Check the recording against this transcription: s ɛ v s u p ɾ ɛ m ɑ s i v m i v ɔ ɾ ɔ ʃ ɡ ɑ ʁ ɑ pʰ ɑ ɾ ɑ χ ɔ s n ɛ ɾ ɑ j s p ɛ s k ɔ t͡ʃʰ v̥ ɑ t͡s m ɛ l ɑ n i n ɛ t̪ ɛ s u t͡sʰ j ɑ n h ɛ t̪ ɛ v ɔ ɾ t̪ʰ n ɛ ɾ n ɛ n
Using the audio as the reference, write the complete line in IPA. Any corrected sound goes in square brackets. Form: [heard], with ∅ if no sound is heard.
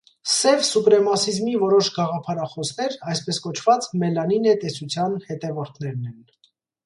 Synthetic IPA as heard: s ɛ v s u p ɾ ɛ m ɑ s i [z] m i v ɔ ɾ ɔ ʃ ɡ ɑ ʁ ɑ pʰ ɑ ɾ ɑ χ ɔ s n ɛ ɾ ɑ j s p ɛ s k ɔ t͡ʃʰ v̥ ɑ t͡s m ɛ l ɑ n i n ɛ t̪ ɛ s u t͡sʰ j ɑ n h ɛ t̪ ɛ v ɔ ɾ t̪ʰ n ɛ ɾ n ɛ n